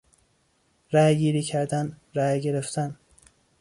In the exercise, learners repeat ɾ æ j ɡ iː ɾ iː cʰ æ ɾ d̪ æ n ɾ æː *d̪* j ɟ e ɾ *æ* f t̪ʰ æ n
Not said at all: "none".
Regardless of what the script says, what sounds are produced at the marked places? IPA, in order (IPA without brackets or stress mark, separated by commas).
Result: none, e